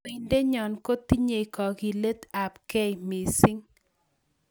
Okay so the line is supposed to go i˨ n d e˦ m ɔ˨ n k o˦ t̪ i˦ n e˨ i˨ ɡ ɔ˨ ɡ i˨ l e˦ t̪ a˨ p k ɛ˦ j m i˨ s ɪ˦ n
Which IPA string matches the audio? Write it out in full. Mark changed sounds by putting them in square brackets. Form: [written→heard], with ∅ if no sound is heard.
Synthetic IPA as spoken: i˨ n d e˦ [m→ɲ] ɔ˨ n k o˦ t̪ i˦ [n→ɲ] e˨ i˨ [ɡ→k] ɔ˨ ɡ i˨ l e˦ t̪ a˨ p k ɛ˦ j m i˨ s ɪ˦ [n→ŋ]

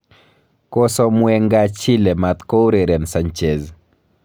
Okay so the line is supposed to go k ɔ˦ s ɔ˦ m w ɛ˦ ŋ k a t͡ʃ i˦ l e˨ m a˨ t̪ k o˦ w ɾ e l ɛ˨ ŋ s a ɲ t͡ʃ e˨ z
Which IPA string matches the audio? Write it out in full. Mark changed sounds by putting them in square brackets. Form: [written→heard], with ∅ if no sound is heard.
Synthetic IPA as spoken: k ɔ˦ s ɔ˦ m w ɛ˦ ŋ [k→ɡ] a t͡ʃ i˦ l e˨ m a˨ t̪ k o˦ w ɾ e [l→ɾ] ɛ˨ [ŋ→n] s a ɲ t͡ʃ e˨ z

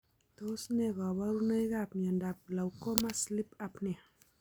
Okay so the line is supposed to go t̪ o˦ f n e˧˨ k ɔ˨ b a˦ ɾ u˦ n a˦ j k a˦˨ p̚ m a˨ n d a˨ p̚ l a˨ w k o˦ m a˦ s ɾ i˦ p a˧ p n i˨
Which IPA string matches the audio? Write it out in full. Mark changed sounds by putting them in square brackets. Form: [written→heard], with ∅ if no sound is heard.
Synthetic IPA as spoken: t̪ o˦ [f→s] n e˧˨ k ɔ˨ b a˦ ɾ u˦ n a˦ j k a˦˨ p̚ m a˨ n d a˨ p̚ l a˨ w k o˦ m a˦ s [ɾ→l] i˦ p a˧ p n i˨

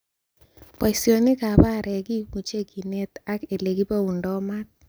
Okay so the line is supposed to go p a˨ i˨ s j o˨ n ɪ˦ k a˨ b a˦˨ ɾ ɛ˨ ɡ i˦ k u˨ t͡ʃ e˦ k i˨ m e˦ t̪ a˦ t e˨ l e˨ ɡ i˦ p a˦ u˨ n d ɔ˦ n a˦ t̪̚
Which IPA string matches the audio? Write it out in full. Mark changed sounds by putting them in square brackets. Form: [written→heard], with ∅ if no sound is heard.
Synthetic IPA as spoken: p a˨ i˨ s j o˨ n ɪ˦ k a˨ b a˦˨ ɾ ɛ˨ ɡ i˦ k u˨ t͡ʃ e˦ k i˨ [m→n] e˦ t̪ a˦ [t→k] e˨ l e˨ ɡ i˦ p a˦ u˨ n d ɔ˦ [n→m] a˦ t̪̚

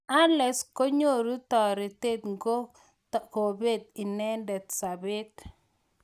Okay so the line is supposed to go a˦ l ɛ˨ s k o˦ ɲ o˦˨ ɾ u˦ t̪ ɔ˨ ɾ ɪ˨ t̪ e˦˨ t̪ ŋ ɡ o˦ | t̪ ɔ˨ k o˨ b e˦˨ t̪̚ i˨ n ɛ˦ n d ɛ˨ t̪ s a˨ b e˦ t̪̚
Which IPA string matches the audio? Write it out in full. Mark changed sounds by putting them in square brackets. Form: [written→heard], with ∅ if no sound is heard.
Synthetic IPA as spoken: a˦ l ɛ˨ s k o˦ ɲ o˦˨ ɾ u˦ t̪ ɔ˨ ɾ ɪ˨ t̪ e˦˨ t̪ ŋ ɡ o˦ | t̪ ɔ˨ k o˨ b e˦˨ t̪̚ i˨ n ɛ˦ n d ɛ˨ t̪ s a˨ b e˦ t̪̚

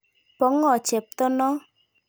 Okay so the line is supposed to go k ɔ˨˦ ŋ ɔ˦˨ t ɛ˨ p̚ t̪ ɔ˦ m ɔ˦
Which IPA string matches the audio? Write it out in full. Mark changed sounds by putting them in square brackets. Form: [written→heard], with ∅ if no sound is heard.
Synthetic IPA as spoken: [k→p] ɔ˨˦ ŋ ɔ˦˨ [t→t͡ʃ] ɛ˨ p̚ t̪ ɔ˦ [m→n] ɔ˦

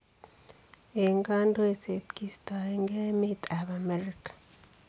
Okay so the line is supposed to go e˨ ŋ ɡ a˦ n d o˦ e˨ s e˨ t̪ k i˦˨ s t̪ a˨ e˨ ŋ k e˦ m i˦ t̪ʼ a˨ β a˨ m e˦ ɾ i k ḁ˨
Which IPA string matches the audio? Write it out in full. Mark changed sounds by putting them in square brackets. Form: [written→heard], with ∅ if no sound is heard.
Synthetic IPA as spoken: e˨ ŋ ɡ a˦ n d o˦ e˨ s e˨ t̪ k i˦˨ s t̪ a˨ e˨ ŋ [k→ɡ] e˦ m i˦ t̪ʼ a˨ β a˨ m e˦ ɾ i k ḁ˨

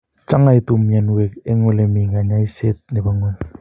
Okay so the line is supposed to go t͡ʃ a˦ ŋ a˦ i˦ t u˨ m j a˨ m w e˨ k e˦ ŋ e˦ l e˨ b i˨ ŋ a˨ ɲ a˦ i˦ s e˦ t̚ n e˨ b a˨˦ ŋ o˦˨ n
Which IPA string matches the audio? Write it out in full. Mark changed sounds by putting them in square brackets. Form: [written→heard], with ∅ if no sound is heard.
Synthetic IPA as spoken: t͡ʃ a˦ ŋ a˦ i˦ t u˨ m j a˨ [m→n] w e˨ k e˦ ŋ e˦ l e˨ [b→m] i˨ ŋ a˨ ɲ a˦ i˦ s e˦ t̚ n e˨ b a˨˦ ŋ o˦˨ n

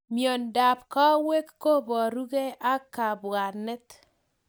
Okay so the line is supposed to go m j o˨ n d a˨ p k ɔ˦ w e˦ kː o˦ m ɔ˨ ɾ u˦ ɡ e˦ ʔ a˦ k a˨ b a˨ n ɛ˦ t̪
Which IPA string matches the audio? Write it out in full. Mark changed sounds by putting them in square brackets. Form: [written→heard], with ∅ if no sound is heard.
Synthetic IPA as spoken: m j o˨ n d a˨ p k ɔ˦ w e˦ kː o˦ [m→b] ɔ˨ ɾ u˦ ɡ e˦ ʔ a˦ k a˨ b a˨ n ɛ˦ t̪

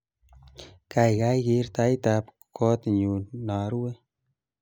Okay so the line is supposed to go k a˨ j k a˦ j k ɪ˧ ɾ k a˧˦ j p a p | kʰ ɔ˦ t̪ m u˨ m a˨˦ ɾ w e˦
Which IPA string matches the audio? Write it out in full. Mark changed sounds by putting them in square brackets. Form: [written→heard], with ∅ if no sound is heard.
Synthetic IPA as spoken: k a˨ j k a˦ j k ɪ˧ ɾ [k→t] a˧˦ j [p→t] a p | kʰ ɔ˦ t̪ [m→ɲ] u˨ [m→n] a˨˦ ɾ w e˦

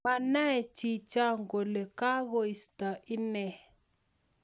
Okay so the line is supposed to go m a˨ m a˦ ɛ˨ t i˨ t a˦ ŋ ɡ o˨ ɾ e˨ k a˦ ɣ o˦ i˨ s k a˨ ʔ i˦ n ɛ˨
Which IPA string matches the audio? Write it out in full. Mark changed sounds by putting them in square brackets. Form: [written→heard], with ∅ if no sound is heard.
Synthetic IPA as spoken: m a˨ [m→n] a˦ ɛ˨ [t→t͡ʃ] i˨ [t→t͡ʃ] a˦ ŋ ɡ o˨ [ɾ→l] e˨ k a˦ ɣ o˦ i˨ s [k→t] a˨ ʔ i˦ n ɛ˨

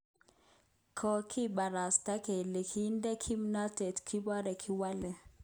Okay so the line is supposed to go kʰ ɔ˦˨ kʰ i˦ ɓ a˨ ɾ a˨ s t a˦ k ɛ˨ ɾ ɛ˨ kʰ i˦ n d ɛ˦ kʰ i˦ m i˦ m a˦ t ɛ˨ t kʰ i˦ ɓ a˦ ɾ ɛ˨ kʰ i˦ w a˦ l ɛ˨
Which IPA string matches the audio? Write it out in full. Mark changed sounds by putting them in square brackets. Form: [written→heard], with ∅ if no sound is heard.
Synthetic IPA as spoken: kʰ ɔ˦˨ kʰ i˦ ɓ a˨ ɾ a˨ s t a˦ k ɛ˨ [ɾ→l] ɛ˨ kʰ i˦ n d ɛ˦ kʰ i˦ m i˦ [m→n] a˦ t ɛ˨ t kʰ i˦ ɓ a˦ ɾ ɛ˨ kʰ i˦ w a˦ l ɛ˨

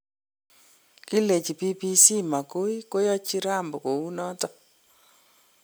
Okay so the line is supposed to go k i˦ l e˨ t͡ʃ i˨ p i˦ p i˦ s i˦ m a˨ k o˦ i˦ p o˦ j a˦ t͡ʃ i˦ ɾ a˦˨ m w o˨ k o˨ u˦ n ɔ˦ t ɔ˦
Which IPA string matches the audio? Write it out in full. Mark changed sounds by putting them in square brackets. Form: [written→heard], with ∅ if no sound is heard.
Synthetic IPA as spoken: k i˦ l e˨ t͡ʃ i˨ p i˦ p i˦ s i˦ m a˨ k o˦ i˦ [p→k] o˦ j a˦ t͡ʃ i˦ ɾ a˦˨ m [w→b] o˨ k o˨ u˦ n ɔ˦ t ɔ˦

